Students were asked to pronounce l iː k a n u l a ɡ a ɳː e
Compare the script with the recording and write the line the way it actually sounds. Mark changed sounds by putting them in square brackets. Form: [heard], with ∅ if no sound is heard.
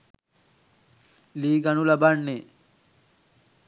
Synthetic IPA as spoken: l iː [ɡ] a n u l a [b] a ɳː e

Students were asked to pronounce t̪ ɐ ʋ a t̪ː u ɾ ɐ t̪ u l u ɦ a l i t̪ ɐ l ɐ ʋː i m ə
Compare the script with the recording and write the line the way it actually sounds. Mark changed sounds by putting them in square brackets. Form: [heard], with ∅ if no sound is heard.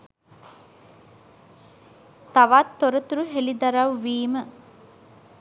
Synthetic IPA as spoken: t̪ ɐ ʋ a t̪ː [o] ɾ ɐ t̪ u [ɾ] u ɦ [e] l i [d̪] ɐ [ɾ] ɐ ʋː [iː] m ə

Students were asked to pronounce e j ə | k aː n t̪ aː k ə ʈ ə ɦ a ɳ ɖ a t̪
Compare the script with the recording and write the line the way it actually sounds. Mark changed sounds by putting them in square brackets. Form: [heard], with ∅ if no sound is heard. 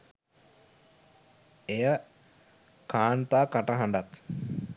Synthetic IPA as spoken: e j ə | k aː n t̪ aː k [a] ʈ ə ɦ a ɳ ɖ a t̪

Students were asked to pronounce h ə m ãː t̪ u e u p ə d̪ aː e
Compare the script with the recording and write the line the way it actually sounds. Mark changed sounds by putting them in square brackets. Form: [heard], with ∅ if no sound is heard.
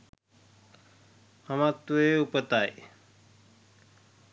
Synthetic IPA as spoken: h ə m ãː t̪ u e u p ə [t̪] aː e

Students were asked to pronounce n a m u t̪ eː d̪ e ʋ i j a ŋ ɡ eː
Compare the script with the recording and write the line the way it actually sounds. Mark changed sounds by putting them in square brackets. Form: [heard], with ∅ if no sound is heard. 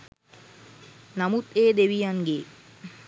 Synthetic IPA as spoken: n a m u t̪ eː d̪ e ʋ i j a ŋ ɡ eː

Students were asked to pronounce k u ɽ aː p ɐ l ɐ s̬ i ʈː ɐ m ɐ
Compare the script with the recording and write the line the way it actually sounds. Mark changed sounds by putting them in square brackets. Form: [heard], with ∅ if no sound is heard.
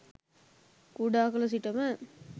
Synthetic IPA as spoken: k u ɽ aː [k] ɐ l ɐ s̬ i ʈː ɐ m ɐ

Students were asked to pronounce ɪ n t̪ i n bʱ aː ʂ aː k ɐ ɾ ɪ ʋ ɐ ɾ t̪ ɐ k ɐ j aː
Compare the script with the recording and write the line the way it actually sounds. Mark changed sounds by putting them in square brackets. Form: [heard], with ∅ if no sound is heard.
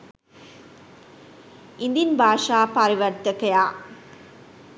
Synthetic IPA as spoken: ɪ n [d̪] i n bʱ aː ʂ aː [p] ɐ ɾ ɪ ʋ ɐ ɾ t̪ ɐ k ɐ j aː

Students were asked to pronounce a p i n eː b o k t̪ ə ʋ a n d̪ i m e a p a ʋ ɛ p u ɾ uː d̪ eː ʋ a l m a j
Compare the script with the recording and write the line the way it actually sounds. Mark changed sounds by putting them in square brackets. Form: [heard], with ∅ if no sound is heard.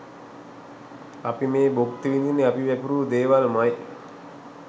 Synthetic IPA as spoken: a p i [m] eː b o k t̪ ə ʋ [i] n d̪ i [n] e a p [i] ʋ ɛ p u ɾ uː d̪ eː ʋ a l m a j

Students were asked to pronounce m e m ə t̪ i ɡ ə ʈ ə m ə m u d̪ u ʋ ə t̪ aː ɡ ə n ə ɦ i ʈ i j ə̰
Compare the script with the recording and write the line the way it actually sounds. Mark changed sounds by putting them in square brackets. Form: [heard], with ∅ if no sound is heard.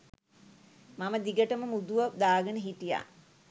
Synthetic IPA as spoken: m [a] m ə [d̪] i ɡ ə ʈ ə m ə m u d̪ u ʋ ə [d̪] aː ɡ ə n ə ɦ i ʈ i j [a̰]

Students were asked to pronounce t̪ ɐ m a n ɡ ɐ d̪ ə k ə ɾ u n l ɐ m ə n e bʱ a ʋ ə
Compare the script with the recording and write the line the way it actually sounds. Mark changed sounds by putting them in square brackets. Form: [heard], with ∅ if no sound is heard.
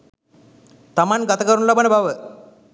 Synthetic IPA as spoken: t̪ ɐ m a n ɡ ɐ [t̪] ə k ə ɾ u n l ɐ [b] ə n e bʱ a ʋ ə

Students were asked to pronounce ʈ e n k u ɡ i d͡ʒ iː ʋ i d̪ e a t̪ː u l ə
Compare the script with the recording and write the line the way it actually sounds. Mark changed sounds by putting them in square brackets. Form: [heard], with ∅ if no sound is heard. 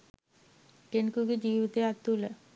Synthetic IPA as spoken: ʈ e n k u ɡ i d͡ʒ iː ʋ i [t̪] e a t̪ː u l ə

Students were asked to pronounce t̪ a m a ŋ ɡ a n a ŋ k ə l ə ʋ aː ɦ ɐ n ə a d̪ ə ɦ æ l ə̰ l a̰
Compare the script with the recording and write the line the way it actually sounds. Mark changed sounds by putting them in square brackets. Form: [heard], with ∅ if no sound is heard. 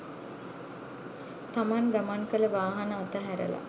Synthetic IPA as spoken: t̪ a m a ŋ ɡ a [m] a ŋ k ə l ə ʋ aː ɦ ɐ n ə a [t̪] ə ɦ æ [ɾ] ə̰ l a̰

